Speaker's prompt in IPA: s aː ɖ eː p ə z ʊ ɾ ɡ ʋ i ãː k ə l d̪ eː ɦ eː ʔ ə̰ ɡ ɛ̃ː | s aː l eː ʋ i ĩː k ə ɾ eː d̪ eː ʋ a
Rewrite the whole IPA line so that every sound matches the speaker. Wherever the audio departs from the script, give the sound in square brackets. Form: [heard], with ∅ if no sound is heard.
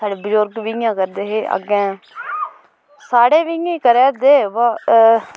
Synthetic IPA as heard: s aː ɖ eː [b] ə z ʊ ɾ ɡ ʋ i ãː k ə [ɾ] d̪ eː ɦ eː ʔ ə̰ ɡ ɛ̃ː | s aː [ɽ] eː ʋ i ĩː k ə ɾ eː d̪ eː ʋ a

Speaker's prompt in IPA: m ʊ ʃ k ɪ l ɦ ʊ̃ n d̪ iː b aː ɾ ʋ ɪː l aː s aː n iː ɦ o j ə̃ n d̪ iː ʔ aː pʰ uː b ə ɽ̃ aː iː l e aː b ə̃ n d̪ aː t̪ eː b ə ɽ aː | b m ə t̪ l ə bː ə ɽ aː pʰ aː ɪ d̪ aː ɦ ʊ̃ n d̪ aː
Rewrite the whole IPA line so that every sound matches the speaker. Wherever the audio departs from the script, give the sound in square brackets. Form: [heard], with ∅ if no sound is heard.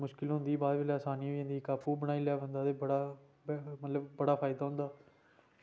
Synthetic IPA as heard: m ʊ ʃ k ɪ l ɦ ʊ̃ n d̪ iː b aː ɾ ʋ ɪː l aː s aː n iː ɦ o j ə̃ n d̪ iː [k] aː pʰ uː b ə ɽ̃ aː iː l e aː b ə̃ n d̪ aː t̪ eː b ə ɽ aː | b m ə t̪ l ə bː ə ɽ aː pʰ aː ɪ d̪ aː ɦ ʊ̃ n d̪ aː

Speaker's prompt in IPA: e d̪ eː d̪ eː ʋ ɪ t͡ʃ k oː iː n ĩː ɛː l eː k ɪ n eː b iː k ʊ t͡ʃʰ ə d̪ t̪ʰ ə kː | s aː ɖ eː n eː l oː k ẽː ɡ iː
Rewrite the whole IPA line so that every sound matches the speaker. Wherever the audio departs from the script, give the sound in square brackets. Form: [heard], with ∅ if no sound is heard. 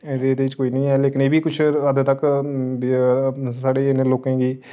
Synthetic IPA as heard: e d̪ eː d̪ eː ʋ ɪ t͡ʃ k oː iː n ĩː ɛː l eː k ɪ n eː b iː k ʊ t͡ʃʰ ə d̪ [t̪] ə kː | s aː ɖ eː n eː l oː k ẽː ɡ iː

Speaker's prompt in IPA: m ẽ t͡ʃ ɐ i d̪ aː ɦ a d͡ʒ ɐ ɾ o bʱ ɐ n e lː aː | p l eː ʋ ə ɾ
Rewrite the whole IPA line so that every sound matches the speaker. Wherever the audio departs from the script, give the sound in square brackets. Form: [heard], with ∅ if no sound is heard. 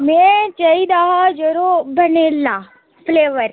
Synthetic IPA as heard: m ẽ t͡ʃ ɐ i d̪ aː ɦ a d͡ʒ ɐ ɾ o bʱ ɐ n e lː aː | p l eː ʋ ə ɾ

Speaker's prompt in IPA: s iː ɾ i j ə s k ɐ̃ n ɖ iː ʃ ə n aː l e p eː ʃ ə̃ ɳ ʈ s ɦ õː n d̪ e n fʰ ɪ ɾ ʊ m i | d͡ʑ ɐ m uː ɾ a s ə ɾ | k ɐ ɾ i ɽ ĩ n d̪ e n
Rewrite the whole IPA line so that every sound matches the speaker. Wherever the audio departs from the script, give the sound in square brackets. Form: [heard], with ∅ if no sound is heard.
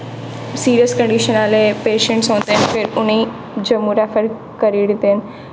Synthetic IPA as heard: s iː ɾ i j ə s k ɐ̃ [ɳ] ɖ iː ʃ ə n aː l e p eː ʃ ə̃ ɳ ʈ s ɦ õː n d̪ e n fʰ ɪ ɾ ʊ [n] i | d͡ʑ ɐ m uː ɾ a [f] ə ɾ | k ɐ ɾ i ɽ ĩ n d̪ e n

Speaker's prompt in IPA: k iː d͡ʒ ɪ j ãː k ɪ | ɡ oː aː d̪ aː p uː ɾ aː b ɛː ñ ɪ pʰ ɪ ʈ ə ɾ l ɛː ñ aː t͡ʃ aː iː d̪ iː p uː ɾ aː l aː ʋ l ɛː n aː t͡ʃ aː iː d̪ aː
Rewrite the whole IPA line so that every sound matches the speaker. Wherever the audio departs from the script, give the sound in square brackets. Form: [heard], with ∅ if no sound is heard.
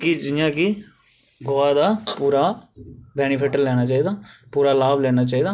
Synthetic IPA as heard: k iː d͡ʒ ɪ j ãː k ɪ | ɡ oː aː d̪ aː p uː ɾ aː b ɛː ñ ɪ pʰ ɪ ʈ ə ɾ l ɛː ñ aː t͡ʃ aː iː d̪ [aː] p uː ɾ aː l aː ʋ l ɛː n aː t͡ʃ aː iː d̪ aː

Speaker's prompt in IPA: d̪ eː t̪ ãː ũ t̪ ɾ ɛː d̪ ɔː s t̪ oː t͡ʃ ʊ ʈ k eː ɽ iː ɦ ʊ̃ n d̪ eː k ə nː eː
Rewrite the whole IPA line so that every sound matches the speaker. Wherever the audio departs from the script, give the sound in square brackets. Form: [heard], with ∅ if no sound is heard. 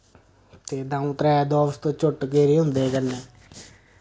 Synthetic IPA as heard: [t̪] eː [d̪] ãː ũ t̪ ɾ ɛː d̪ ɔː s t̪ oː t͡ʃ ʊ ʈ k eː [ɾ] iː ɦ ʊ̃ n d̪ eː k ə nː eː

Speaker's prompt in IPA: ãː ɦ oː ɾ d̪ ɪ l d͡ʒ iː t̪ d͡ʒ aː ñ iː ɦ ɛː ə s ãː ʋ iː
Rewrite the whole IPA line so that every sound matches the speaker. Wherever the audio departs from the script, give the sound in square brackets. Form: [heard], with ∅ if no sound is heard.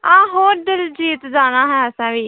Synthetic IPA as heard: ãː ɦ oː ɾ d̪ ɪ l d͡ʒ iː t̪ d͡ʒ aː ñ [aː] ɦ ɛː ə s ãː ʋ iː

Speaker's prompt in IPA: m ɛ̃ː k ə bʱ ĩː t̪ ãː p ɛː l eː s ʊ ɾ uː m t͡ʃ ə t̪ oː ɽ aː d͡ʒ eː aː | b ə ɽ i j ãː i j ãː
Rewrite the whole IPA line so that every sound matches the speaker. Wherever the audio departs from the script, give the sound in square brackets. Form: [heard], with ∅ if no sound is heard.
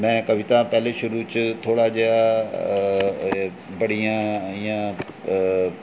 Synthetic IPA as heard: m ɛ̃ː k ə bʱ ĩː t̪ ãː p ɛː l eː [ʃ] ʊ ɾ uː [∅] t͡ʃ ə [t̪ʰ] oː ɽ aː d͡ʒ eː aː | b ə ɽ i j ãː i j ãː

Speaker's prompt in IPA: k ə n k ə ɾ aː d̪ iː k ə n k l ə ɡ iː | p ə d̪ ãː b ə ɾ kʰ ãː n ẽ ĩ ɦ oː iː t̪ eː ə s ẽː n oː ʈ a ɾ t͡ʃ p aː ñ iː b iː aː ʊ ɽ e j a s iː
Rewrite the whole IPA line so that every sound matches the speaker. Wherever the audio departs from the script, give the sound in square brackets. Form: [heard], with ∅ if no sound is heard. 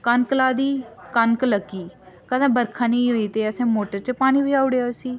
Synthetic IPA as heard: k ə n k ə [l] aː d̪ iː k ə n k l ə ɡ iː | [k] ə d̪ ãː b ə ɾ kʰ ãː n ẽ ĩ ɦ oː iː t̪ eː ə s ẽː [m] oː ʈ [ə] ɾ t͡ʃ p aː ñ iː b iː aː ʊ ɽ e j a s iː

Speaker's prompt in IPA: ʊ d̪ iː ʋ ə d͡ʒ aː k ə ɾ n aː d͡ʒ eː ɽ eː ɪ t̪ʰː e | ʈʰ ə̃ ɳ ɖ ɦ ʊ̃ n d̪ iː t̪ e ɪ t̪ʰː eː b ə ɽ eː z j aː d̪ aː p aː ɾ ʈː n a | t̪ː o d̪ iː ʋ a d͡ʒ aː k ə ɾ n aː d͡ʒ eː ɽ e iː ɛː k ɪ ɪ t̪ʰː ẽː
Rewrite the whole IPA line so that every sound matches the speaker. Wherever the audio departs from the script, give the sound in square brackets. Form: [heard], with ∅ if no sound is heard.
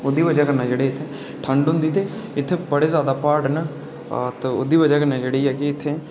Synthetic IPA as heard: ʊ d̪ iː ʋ ə d͡ʒ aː k ə ɾ n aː d͡ʒ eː ɽ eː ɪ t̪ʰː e | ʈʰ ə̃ ɳ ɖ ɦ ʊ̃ n d̪ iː t̪ e ɪ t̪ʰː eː b ə ɽ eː z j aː d̪ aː p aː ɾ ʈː n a | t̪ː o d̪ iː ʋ [ə] d͡ʒ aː k ə ɾ n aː d͡ʒ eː ɽ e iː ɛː k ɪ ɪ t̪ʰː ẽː

